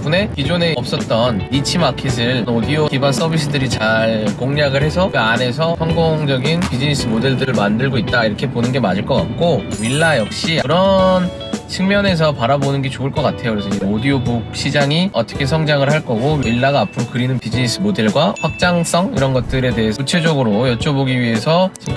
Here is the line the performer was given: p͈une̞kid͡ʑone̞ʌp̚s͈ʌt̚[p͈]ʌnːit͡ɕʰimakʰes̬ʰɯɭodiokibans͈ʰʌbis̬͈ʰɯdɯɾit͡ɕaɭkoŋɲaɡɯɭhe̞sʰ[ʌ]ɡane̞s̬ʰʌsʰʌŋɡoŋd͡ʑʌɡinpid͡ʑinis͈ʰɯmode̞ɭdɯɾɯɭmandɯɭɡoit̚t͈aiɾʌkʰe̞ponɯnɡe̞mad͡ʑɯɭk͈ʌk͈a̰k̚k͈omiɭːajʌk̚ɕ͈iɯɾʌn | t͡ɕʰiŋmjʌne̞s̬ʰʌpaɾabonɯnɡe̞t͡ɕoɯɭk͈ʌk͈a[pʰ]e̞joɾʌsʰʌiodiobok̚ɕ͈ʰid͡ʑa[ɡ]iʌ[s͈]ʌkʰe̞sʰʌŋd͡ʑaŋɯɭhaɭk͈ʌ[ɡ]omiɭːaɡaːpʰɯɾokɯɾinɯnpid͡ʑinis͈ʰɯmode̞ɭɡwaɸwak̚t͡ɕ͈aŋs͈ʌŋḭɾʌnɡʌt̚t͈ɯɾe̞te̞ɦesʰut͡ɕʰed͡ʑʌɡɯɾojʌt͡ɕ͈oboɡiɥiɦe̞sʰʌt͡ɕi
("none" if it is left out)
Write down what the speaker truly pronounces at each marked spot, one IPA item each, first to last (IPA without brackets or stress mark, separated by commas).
t͈, ʌ, tʰ, ŋ, t͈, ɡ